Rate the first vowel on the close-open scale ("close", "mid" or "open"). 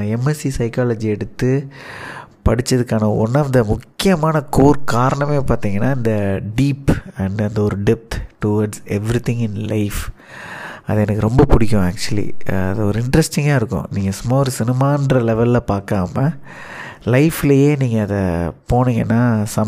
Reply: mid